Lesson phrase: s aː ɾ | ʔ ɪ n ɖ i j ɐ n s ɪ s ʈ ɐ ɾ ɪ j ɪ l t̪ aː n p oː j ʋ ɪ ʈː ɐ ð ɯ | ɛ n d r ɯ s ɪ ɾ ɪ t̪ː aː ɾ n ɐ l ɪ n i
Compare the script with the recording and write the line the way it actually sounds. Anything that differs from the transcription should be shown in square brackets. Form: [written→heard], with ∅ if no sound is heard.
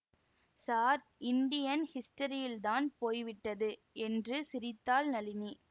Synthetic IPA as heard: s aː ɾ | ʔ ɪ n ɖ [i→ɪ] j ɐ n [s→h] ɪ s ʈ ɐ ɾ ɪ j ɪ l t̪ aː n p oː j ʋ ɪ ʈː ɐ ð ɯ | ɛ n d r ɯ s ɪ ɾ ɪ t̪ː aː [ɾ→l] n ɐ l ɪ n i